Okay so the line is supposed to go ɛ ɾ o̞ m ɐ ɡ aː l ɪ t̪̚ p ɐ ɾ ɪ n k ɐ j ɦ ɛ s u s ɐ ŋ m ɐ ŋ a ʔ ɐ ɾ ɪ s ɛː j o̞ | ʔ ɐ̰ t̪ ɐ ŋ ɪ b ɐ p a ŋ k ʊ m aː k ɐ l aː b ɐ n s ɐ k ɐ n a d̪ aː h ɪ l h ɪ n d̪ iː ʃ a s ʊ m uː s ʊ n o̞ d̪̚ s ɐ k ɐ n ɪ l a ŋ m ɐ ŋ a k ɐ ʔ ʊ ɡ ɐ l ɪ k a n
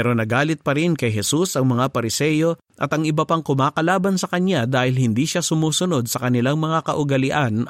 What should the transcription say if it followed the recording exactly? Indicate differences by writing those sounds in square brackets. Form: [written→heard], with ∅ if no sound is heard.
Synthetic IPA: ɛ ɾ o̞ [m→n] ɐ ɡ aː l ɪ t̪̚ p ɐ ɾ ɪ n k ɐ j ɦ ɛ s u s ɐ ŋ m ɐ ŋ a [ʔ→p] ɐ ɾ ɪ s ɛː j o̞ | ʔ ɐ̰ t̪ ɐ ŋ ɪ b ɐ p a ŋ k ʊ m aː k ɐ l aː b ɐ n s ɐ k ɐ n a d̪ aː h ɪ l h ɪ n d̪ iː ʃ a s ʊ m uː s ʊ n o̞ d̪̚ s ɐ k ɐ n ɪ l a ŋ m ɐ ŋ a k ɐ ʔ ʊ ɡ ɐ l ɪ [k→ʔ] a n